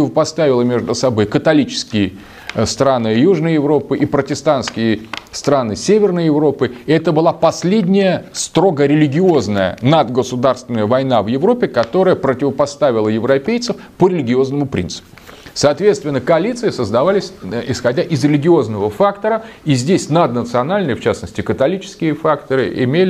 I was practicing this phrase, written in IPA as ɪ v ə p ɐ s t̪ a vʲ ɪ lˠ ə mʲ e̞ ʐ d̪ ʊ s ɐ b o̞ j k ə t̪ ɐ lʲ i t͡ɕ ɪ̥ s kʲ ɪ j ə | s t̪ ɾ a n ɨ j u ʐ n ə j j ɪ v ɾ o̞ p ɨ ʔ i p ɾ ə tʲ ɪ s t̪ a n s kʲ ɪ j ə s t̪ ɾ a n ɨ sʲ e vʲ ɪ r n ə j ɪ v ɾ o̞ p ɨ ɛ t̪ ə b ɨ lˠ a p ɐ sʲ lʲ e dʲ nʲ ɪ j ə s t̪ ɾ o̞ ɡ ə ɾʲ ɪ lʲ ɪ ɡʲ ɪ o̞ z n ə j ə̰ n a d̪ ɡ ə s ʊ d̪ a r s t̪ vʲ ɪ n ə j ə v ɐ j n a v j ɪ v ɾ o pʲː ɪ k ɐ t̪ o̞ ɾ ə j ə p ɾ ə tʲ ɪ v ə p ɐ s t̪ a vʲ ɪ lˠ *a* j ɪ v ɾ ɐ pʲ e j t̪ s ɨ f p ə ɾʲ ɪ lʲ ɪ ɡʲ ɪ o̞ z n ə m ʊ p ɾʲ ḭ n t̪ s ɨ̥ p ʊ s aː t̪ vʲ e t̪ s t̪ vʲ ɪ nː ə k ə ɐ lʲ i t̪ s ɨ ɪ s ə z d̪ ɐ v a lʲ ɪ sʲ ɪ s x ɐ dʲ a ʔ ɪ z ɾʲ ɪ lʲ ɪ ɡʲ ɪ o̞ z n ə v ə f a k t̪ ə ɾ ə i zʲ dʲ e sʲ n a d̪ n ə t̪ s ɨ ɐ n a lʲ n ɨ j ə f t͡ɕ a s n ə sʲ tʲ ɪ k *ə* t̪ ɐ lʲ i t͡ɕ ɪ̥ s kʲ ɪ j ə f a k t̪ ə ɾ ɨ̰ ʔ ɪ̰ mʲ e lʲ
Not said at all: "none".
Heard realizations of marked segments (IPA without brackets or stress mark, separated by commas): ə, ə